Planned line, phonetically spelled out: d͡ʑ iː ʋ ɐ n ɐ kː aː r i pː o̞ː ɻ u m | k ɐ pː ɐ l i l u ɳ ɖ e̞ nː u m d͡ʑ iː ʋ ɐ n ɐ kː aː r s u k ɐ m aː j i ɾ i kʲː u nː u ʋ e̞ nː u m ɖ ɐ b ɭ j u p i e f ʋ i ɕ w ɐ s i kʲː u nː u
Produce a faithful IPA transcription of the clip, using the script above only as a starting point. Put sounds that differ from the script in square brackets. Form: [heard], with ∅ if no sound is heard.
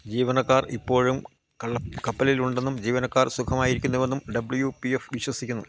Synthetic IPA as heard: d͡ʑ iː ʋ ɐ n ɐ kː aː r i pː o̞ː ɻ u m | k ɐ pː ɐ l i l u ɳ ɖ e̞ nː u m d͡ʑ iː ʋ ɐ n ɐ kː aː r s u [kʰ] ɐ m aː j i ɾ i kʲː u nː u ʋ e̞ nː u m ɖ ɐ b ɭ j u p i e f ʋ i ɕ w ɐ s i kʲː u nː u